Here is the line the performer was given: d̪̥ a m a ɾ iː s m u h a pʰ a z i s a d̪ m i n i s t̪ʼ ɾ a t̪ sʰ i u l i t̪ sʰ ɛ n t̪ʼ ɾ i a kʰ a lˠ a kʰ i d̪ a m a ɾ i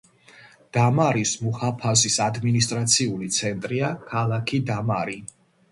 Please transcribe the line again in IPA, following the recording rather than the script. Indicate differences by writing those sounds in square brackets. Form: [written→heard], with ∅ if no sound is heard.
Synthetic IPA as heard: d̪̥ a m a ɾ [iː→i] s m u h a pʰ a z i s a d̪ m i n i s t̪ʼ ɾ a t̪ sʰ i u l i t̪ sʰ ɛ n t̪ʼ ɾ i a kʰ a lˠ a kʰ i d̪ a m a ɾ i